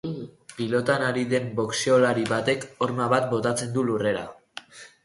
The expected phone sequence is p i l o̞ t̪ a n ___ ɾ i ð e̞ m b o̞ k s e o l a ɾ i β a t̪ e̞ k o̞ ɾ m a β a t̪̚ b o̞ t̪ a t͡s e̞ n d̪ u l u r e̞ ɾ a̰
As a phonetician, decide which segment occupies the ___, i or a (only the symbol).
a